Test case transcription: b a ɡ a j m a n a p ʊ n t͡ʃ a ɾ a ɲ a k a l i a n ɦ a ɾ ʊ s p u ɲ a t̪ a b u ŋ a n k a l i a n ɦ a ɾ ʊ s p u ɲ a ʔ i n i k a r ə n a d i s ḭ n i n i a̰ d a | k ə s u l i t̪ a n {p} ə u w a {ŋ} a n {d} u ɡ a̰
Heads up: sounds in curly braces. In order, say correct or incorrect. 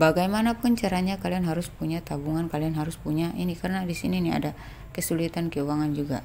incorrect, correct, incorrect

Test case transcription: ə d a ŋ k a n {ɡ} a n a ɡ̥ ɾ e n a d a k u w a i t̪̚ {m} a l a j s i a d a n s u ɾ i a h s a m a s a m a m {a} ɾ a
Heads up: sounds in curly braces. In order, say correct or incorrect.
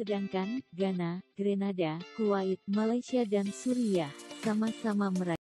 correct, correct, incorrect

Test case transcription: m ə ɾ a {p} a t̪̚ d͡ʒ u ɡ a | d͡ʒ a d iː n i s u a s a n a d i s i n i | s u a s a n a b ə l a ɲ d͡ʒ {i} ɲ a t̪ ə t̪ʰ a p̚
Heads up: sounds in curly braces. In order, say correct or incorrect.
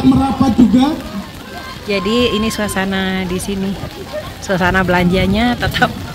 correct, incorrect

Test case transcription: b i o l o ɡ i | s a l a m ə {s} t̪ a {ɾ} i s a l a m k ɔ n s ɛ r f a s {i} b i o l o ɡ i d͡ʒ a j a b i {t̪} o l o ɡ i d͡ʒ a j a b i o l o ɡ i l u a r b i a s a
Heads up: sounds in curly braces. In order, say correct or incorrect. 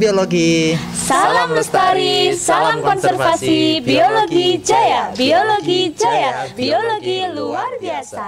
correct, correct, correct, incorrect

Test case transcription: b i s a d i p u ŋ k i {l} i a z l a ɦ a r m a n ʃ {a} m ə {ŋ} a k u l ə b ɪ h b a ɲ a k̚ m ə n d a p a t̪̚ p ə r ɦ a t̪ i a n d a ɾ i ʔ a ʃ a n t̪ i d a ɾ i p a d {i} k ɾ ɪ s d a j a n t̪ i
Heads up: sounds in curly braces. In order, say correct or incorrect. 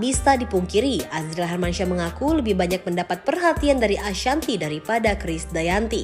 incorrect, correct, correct, incorrect

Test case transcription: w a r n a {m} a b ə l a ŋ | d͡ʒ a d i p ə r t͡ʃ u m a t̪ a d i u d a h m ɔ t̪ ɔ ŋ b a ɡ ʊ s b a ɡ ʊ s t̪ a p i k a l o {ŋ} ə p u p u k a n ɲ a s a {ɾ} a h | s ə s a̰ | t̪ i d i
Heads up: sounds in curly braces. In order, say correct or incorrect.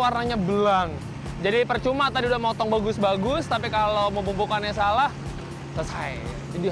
incorrect, incorrect, incorrect

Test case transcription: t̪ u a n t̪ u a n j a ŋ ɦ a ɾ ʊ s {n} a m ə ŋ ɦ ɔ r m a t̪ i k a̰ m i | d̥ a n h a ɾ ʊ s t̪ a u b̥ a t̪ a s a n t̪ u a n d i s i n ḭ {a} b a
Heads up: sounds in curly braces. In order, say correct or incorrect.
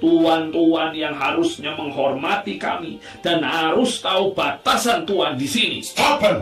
incorrect, correct

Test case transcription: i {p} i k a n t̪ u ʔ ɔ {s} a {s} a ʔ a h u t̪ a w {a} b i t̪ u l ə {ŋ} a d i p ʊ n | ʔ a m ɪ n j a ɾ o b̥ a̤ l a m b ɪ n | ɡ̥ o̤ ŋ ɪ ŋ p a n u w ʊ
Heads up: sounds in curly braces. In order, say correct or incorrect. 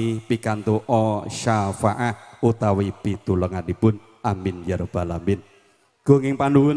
correct, incorrect, incorrect, incorrect, correct

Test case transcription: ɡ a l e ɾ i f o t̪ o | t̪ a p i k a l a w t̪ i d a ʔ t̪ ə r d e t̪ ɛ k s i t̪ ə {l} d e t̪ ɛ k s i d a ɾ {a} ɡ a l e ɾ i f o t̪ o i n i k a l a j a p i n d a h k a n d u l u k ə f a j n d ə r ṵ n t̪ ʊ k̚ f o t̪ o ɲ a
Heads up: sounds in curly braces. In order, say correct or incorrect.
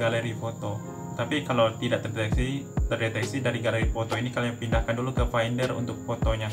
incorrect, incorrect

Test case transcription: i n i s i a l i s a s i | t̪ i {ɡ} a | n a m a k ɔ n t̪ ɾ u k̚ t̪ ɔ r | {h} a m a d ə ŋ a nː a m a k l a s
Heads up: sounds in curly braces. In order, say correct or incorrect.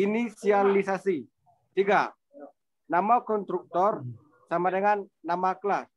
correct, incorrect

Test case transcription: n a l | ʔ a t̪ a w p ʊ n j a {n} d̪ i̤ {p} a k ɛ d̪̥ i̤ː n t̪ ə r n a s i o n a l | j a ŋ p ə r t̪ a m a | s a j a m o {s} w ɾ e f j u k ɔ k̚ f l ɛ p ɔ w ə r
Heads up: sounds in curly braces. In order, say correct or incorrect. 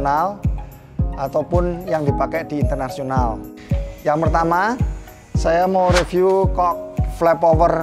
incorrect, correct, incorrect

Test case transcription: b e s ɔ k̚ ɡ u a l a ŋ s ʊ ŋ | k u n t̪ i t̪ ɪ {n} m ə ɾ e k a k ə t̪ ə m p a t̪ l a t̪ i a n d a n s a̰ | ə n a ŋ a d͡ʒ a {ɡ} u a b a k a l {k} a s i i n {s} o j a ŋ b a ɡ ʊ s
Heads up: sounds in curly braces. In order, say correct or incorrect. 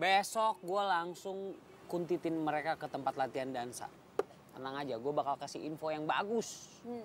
correct, correct, correct, incorrect

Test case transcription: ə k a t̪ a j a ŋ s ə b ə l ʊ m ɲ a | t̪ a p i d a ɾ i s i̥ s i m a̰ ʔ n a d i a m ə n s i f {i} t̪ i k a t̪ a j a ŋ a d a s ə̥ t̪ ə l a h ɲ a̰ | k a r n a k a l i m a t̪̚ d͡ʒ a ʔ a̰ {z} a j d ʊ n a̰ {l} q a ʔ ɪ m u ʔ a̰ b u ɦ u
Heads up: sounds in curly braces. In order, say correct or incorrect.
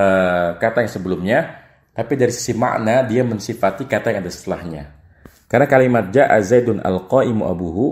incorrect, correct, correct

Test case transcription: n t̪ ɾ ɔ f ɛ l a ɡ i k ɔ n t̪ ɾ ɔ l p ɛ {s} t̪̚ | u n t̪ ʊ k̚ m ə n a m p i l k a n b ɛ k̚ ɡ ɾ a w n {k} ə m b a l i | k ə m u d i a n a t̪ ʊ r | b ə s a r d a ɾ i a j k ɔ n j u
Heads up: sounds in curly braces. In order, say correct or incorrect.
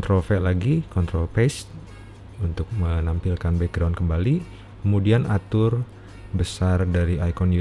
correct, correct

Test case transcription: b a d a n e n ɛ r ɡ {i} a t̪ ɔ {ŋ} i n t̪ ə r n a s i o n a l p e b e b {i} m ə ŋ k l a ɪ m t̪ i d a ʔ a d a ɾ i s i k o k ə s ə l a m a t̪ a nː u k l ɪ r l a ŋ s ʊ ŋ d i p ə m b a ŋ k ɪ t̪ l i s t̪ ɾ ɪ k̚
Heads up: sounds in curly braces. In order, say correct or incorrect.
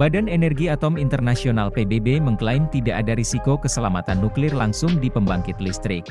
correct, incorrect, incorrect

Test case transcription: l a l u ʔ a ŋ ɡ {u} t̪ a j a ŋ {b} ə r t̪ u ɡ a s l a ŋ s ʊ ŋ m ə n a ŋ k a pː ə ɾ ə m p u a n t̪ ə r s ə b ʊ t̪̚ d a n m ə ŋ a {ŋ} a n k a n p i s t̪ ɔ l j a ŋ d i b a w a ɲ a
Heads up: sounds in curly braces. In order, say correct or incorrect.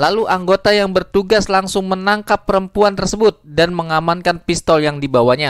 incorrect, correct, incorrect

